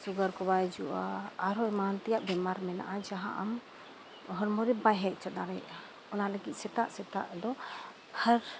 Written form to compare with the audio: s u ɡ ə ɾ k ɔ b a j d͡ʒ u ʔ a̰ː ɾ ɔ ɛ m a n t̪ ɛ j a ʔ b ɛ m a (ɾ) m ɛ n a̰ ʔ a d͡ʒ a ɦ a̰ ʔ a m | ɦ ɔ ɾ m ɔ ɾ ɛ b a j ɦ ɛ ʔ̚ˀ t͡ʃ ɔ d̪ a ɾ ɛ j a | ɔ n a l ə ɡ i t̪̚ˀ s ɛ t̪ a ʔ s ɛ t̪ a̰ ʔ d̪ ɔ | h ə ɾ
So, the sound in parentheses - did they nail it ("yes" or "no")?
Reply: yes